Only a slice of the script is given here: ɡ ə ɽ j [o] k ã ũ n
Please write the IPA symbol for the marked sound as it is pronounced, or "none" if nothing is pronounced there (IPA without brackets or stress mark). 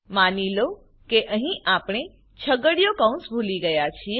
o